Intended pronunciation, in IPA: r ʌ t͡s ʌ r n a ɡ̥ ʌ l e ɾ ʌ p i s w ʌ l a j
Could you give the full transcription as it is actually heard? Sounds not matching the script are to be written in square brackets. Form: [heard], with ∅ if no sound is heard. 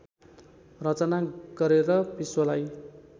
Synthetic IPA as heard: r ʌ t͡s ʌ [∅] n a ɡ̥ ʌ [ɾ] e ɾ ʌ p i s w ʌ l a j